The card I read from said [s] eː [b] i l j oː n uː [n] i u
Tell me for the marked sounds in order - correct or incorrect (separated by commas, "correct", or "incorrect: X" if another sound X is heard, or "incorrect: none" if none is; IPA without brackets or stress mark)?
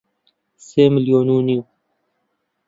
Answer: correct, incorrect: m, correct